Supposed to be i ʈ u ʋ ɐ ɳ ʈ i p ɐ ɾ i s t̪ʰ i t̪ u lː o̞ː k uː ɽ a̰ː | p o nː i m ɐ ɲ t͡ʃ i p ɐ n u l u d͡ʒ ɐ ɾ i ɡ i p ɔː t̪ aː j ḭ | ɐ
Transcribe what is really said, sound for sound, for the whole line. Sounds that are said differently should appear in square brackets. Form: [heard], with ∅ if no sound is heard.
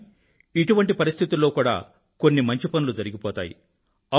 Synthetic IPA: i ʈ u ʋ ɐ ɳ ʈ i p ɐ ɾ i s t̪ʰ i t̪ u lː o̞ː k uː ɽ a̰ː | [k] o nː i m ɐ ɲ t͡ʃ i p ɐ n u l u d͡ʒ ɐ ɾ i ɡ i p ɔː t̪ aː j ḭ | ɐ